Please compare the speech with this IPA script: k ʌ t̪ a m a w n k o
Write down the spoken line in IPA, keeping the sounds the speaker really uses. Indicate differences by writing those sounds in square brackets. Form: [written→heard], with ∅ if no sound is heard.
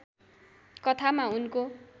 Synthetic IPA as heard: k ʌ [t̪→t̪ʰ] a m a [w→u] n k o